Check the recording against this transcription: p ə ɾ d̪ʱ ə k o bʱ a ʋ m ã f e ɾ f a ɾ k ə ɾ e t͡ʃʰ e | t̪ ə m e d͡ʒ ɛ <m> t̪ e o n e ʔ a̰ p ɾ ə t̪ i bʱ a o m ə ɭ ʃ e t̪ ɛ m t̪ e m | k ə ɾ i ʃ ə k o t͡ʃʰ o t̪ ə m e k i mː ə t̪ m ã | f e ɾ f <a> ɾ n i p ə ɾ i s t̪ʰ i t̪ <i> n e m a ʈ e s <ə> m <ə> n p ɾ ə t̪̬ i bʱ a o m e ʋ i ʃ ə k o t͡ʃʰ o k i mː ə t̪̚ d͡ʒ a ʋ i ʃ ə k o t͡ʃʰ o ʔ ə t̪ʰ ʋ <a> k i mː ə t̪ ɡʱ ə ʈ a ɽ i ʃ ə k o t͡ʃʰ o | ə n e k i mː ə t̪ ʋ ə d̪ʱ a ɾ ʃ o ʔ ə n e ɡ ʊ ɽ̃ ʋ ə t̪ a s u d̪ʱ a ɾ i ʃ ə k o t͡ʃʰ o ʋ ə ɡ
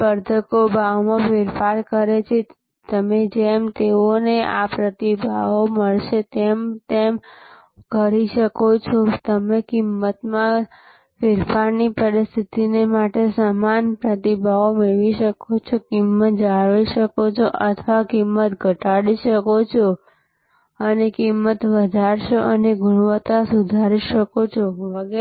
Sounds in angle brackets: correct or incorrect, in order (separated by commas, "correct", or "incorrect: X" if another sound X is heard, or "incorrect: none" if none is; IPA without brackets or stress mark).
correct, correct, correct, incorrect: a, incorrect: a, correct